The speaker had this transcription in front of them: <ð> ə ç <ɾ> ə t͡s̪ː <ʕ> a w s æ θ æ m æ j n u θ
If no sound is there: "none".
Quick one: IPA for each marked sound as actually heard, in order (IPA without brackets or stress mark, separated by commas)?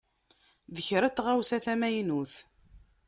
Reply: ð, ɾ, ʁ